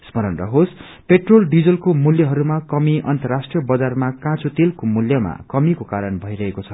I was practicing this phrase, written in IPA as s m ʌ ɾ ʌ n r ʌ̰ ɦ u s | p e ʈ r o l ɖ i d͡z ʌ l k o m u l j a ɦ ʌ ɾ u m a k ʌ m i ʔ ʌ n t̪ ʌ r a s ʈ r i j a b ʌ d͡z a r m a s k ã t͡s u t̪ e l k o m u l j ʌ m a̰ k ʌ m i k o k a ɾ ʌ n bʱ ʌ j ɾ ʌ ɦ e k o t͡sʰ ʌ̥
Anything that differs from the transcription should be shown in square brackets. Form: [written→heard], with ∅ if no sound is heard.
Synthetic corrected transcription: s m ʌ ɾ ʌ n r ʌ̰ ɦ [u→o] s | p e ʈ r o l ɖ i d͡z ʌ l k o m u l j [a→ʌ] ɦ ʌ ɾ u m a k ʌ m i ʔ ʌ n t̪ ʌ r a s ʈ r i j [a→ʌ] b ʌ d͡z a r m a [s→∅] k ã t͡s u t̪ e l k o m u l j ʌ m a̰ k ʌ m i k o k a ɾ ʌ n bʱ ʌ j ɾ ʌ ɦ e k o t͡sʰ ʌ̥